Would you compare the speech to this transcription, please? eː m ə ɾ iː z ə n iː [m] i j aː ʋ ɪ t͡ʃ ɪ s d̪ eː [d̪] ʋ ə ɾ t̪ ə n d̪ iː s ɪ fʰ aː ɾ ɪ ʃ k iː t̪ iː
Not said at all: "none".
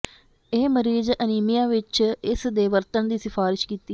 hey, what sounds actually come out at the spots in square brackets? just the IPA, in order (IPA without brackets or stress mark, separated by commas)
m, none